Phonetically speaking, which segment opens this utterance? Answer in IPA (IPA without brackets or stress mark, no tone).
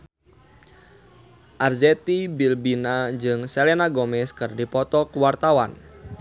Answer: ʔ